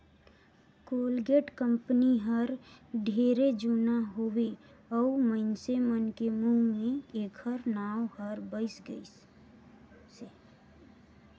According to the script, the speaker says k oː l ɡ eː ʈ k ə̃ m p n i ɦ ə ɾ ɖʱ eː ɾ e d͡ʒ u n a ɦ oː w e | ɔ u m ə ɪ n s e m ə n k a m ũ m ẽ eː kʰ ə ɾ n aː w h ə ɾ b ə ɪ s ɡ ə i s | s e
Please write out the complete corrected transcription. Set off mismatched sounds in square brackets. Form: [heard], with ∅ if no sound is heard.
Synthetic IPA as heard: k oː l ɡ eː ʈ k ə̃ m p n i ɦ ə ɾ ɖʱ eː ɾ e d͡ʒ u n a ɦ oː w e | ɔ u m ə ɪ n s e m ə n k [e] m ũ m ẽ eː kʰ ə ɾ n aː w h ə ɾ b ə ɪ s ɡ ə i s | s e

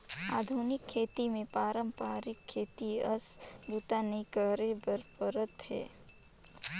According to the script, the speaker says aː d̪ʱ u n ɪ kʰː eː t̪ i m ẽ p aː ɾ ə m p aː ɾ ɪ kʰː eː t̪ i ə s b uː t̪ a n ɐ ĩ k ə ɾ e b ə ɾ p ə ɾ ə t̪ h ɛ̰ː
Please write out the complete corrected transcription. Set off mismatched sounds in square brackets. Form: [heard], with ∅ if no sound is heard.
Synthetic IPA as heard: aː d̪ʱ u n ɪ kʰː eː t̪ i m ẽ p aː ɾ ə m p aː ɾ ɪ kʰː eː t̪ i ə s b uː t̪ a n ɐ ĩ k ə ɾ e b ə ɾ p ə ɾ ə t̪ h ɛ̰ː

